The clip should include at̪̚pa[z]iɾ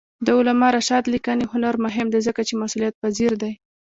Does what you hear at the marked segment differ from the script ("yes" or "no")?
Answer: no